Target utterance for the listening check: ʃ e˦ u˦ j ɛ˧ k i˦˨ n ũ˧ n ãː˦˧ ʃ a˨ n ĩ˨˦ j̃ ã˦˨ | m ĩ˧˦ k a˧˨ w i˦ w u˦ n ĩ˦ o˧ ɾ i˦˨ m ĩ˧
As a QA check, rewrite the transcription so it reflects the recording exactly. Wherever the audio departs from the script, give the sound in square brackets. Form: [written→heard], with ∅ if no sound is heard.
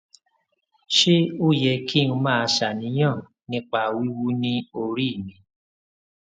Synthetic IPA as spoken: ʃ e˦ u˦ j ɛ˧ k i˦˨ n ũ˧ [n→m] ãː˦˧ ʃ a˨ n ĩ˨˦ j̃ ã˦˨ | [m→n] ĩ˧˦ [k→k͡p] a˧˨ w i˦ w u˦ n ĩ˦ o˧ ɾ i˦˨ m ĩ˧